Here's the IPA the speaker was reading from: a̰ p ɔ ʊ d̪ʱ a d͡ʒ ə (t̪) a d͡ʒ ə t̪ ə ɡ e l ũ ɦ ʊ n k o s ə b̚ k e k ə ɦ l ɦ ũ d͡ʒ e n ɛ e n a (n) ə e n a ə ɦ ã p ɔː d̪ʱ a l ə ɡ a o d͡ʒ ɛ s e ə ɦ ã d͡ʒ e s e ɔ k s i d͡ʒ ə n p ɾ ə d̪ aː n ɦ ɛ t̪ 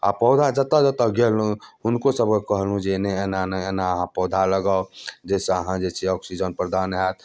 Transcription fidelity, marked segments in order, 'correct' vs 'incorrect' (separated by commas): correct, correct